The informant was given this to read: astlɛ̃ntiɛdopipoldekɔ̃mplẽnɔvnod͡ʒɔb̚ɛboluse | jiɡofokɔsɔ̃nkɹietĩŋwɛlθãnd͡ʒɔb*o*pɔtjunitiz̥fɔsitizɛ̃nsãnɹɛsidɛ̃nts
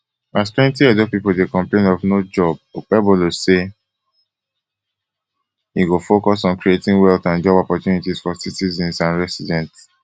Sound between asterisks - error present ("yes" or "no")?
yes